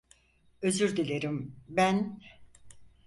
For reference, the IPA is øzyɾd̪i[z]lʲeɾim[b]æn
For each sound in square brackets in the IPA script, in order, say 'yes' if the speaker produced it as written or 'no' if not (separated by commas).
no, yes